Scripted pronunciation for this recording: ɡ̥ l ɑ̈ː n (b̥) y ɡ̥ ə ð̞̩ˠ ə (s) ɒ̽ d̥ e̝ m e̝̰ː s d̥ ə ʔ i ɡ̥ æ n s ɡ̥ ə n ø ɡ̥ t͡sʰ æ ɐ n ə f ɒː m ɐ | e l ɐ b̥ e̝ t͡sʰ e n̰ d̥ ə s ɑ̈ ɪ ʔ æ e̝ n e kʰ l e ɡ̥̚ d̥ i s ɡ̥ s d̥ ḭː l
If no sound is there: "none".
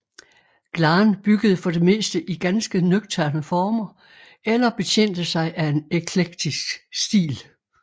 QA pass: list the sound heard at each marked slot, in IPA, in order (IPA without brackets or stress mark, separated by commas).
b̥, f